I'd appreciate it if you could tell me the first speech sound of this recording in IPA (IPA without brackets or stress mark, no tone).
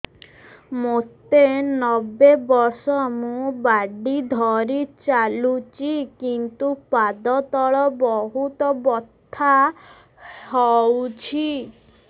m